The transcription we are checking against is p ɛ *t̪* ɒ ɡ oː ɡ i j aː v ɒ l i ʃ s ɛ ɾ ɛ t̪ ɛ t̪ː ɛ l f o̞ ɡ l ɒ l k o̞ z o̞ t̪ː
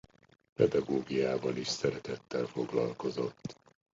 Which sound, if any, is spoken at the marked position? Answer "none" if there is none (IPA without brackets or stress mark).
d̪